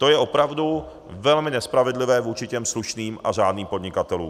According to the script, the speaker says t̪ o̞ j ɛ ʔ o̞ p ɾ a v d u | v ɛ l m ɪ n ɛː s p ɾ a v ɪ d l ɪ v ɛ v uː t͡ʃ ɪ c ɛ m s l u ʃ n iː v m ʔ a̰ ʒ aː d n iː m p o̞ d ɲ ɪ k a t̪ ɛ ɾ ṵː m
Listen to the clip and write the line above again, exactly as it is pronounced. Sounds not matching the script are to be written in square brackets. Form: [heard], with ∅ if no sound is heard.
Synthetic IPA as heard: t̪ o̞ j ɛ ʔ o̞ p ɾ a v d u | v ɛ l m ɪ n [ɛ] s p ɾ a v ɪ d l ɪ v [ɛː] v uː t͡ʃ ɪ c ɛ m s l u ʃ n iː [∅] m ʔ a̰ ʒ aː d n iː m p o̞ d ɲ ɪ k a t̪ ɛ [l] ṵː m